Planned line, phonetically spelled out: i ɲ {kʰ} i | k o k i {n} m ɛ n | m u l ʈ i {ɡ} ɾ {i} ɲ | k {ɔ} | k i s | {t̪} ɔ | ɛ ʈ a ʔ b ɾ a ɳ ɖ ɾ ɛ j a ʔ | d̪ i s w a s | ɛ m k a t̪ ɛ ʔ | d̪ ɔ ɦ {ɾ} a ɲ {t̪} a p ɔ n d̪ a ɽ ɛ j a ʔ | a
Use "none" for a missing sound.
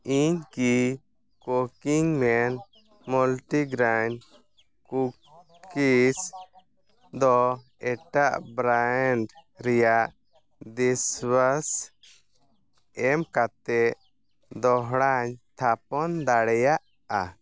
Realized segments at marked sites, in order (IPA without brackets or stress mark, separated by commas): k, ŋ, ɡ, a, u, d̪, ɽ, t̪ʰ